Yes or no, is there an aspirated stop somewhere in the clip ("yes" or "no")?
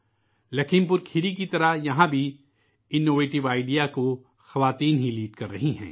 yes